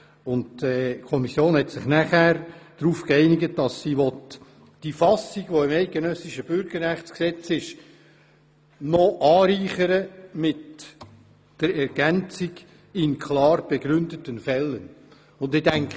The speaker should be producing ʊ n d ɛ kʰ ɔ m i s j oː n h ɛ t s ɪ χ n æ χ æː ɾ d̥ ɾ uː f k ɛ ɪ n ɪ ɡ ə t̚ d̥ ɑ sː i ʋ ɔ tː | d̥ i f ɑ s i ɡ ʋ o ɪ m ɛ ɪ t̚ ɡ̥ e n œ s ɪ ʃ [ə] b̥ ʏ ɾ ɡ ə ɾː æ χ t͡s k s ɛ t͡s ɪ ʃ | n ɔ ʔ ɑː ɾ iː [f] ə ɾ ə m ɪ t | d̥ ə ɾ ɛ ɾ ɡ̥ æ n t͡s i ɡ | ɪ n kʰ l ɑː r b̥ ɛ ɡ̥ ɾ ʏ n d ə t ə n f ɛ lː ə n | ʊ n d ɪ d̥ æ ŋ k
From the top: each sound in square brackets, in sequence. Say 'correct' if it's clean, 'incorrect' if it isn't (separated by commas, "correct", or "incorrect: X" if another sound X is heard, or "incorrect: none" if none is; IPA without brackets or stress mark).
correct, incorrect: χ